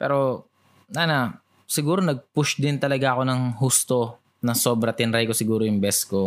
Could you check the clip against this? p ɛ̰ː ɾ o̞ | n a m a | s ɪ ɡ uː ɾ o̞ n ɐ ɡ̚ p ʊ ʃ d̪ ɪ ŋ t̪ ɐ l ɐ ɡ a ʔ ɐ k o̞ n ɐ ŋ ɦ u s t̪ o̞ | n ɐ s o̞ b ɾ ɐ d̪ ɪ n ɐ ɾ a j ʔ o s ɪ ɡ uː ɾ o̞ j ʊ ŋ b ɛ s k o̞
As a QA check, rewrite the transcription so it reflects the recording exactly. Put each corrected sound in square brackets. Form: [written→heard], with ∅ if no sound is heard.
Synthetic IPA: p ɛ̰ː ɾ o̞ | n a [m→n] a | s ɪ ɡ uː ɾ o̞ n ɐ ɡ̚ p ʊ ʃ d̪ ɪ [ŋ→n] t̪ ɐ l ɐ ɡ a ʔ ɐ k o̞ n ɐ ŋ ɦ u s t̪ o̞ | n ɐ s o̞ b ɾ ɐ [d̪→t̪] ɪ n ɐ ɾ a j [ʔ→k] o s ɪ ɡ uː ɾ o̞ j ʊ ŋ b ɛ s k o̞